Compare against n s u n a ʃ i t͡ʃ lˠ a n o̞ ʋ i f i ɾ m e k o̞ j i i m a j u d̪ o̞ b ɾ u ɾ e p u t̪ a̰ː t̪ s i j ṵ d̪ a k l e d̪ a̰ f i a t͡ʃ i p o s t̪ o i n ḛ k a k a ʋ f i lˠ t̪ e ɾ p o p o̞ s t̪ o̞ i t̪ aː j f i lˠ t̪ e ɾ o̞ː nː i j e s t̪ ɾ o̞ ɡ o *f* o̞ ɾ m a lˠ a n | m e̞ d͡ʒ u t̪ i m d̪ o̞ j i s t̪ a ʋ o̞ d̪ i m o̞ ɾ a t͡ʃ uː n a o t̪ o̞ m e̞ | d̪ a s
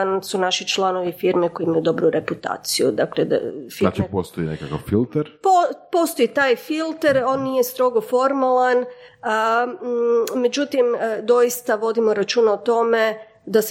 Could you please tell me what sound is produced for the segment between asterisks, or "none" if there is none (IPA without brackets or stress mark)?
f